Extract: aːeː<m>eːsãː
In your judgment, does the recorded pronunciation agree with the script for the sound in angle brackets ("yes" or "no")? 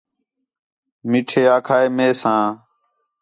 yes